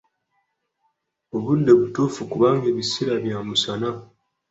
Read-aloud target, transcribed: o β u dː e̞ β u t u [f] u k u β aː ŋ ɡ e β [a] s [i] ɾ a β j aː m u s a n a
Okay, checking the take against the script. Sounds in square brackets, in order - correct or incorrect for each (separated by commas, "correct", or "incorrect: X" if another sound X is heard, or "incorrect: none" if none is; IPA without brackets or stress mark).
correct, incorrect: i, correct